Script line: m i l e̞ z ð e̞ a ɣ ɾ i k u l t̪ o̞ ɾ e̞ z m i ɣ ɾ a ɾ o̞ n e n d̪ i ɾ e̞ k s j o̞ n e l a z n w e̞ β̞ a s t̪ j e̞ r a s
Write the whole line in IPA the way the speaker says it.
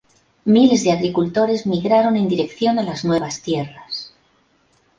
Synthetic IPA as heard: m i l e̞ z ð e̞ a ɣ ɾ i k u l t̪ o̞ ɾ e̞ z m i ɣ ɾ a ɾ o̞ n e n d̪ i ɾ e̞ k θ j o̞ n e l a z n w e̞ β̞ a s t̪ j e̞ r a s